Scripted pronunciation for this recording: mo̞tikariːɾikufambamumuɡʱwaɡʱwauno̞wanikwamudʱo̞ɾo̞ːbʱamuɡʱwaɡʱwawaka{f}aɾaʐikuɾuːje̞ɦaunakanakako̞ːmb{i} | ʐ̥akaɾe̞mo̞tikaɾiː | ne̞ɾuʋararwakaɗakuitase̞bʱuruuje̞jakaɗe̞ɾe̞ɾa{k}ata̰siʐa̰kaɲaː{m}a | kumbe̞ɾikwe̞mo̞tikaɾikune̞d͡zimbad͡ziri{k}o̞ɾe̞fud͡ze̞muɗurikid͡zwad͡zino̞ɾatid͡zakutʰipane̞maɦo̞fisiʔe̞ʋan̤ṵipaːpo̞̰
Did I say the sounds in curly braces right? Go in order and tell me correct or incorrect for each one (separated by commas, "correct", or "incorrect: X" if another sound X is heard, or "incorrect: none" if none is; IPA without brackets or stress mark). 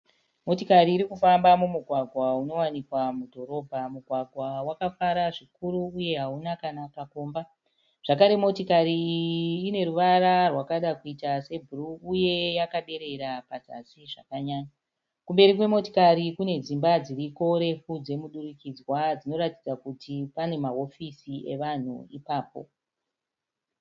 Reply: correct, incorrect: a, incorrect: p, incorrect: ɲ, correct